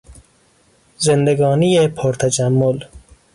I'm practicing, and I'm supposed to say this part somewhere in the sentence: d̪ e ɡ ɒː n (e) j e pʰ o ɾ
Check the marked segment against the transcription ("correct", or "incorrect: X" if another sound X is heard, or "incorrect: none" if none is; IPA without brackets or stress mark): incorrect: i